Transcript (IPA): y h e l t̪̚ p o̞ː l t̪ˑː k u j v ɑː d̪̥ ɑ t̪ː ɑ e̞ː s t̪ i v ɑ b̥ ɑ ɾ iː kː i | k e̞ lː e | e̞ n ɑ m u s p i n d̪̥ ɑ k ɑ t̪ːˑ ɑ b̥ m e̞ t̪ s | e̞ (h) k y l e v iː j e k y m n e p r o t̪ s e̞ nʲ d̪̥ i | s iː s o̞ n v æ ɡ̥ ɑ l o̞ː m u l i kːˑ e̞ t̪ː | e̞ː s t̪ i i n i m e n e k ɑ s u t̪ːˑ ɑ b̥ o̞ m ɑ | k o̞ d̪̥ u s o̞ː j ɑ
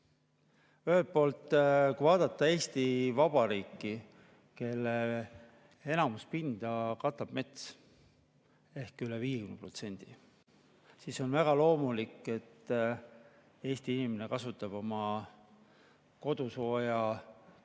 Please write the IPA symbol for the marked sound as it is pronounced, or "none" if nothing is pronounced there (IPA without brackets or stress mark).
h